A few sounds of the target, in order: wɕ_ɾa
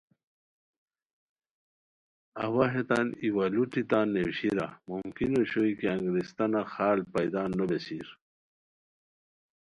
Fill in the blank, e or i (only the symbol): i